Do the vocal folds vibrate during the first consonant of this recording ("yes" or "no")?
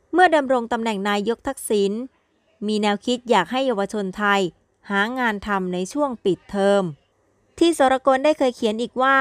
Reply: yes